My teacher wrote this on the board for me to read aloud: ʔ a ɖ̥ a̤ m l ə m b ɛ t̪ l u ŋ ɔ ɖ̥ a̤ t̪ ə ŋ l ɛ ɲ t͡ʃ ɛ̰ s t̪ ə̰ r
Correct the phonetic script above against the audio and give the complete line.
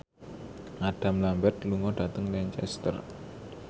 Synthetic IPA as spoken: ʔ a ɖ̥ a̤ m l a m b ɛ t̪ l u ŋ ɔ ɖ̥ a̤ t̪ ə ŋ l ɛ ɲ t͡ʃ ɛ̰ s t̪ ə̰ r